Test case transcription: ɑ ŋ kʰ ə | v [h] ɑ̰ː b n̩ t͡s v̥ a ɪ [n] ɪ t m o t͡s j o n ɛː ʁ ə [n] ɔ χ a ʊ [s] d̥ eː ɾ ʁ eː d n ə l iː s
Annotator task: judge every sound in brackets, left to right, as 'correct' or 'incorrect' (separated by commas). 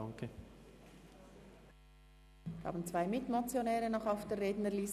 correct, incorrect, correct, incorrect